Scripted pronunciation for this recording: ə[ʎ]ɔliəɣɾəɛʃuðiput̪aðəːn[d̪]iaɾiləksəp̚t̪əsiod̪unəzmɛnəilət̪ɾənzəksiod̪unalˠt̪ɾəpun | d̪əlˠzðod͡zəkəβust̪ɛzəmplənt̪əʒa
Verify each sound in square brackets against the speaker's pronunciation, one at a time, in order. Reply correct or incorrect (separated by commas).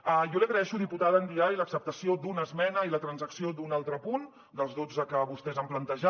incorrect, correct